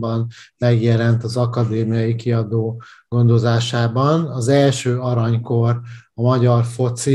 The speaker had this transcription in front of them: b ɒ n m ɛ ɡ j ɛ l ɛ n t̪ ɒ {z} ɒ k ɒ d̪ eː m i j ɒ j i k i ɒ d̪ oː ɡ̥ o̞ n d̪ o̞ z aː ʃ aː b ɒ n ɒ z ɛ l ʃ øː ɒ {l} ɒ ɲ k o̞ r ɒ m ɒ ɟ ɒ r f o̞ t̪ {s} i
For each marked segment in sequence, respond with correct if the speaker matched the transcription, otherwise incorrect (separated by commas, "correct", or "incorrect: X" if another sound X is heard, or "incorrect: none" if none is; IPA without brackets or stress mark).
correct, incorrect: ɾ, correct